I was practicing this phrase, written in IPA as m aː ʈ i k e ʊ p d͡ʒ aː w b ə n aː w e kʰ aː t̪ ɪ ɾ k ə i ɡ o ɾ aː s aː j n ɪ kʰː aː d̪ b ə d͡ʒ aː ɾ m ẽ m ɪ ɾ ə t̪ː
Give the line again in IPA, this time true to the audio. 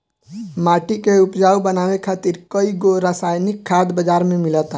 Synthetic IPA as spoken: m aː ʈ i k e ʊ p d͡ʒ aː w b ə n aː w e kʰ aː t̪ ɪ ɾ k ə i ɡ o ɾ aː s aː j n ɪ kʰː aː d̪ b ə d͡ʒ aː ɾ m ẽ m ɪ l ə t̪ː